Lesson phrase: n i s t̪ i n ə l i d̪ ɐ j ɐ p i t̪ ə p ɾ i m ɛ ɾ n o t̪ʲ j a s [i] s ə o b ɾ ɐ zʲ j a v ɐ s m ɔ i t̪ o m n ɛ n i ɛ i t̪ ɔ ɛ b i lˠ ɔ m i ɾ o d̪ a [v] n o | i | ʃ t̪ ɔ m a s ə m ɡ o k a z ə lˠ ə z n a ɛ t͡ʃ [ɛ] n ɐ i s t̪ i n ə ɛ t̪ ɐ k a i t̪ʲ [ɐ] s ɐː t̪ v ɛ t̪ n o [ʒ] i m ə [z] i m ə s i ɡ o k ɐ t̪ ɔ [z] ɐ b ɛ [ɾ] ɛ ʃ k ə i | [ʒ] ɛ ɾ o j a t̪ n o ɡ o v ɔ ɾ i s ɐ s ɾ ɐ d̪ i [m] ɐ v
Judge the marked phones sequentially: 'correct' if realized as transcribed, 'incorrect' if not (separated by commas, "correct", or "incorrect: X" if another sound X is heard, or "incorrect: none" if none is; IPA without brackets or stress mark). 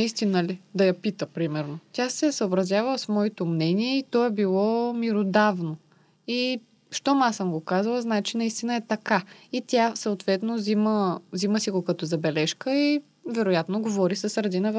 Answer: incorrect: ɛ, correct, incorrect: i, incorrect: a, incorrect: z, correct, correct, incorrect: l, incorrect: v, incorrect: n